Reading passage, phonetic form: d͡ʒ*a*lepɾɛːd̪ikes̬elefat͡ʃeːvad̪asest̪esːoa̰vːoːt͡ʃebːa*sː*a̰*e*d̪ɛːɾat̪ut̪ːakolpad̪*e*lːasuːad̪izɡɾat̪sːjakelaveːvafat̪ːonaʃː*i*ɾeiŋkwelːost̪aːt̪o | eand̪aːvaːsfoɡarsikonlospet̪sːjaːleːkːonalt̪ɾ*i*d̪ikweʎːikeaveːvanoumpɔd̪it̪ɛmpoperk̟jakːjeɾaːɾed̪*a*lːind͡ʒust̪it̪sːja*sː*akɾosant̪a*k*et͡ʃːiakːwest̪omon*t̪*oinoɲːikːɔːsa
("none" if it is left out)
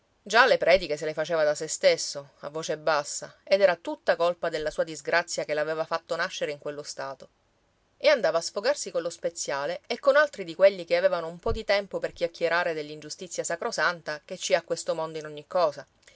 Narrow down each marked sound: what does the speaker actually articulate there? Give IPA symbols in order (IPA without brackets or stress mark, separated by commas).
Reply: a, sː, e, e, e, i, e, s, k, d̪